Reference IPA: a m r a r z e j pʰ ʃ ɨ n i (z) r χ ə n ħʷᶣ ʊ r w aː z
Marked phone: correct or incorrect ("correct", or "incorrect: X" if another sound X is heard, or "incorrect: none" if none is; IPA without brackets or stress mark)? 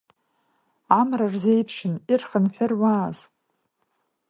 incorrect: none